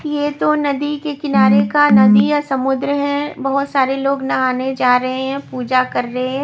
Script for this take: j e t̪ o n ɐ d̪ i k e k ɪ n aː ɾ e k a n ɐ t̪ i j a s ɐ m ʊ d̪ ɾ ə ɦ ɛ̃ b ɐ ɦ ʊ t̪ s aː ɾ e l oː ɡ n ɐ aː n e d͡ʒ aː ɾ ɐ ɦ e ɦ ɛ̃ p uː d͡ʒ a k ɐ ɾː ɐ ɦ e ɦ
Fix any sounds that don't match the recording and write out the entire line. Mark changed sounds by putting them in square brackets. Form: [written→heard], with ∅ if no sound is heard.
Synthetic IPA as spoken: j e t̪ o n ɐ d̪ i k e k ɪ n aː ɾ e k a n ɐ [t̪→d̪] i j a s ɐ m ʊ d̪ ɾ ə ɦ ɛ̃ b ɐ ɦ ʊ t̪ s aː ɾ e l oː ɡ n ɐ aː n e d͡ʒ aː ɾ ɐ ɦ e ɦ ɛ̃ p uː d͡ʒ a k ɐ ɾː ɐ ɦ e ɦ